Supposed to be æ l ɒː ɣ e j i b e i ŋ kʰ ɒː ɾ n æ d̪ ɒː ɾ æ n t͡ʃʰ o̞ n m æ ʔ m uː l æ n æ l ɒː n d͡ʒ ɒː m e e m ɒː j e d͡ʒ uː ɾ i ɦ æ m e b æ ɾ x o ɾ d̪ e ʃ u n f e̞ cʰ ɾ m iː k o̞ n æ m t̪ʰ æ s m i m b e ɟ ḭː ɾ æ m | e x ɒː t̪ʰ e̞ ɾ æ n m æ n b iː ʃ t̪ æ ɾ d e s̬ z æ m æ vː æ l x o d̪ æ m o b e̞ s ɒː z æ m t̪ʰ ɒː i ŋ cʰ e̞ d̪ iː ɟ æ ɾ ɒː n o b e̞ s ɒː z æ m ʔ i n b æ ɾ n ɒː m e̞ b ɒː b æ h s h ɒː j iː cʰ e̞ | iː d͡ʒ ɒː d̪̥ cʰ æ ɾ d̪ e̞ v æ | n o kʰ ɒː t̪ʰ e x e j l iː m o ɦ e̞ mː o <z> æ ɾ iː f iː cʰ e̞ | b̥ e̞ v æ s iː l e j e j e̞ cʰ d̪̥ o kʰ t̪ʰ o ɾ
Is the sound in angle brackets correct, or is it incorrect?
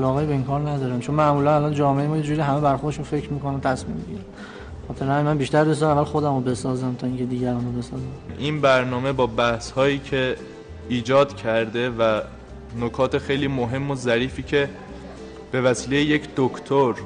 correct